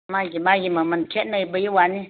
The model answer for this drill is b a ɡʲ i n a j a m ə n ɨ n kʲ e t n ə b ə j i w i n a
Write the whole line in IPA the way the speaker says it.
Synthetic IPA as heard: m a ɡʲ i m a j i m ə m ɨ n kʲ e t n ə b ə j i w a n i